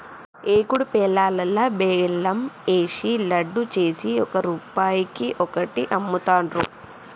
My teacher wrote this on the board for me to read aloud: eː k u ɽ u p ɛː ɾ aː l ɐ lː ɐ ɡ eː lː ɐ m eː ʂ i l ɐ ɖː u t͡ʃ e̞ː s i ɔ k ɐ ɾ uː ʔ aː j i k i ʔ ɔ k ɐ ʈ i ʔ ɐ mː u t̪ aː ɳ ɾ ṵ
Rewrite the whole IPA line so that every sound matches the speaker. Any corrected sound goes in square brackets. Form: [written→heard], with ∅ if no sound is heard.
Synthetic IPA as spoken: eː k u ɽ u p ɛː [ɾ→l] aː l ɐ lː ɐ [ɡ→b] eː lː ɐ m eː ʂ i l ɐ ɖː u t͡ʃ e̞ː s i ɔ k ɐ ɾ uː [ʔ→p] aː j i k i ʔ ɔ k ɐ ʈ i ʔ ɐ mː u t̪ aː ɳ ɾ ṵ